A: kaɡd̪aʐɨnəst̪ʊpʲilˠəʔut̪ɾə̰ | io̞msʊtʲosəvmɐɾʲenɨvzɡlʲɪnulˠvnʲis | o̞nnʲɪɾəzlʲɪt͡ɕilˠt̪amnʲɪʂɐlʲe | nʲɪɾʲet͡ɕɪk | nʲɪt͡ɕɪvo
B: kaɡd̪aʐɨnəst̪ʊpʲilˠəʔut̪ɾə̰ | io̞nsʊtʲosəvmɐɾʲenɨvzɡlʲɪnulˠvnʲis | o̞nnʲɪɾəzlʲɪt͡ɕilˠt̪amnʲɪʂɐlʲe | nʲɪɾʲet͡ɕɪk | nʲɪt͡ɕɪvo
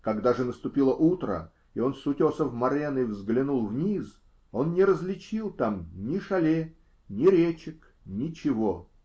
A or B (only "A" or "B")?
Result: B